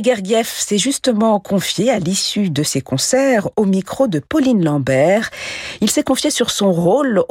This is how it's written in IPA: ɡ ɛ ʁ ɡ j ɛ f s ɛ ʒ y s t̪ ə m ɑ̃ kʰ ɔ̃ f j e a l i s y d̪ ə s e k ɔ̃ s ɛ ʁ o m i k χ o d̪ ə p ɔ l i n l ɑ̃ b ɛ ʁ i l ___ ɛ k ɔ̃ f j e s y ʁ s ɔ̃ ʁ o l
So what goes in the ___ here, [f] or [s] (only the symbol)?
s